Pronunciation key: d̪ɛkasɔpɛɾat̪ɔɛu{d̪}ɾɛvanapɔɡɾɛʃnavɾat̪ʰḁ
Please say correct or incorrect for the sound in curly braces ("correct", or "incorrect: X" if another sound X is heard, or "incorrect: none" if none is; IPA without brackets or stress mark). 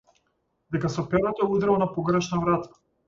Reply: correct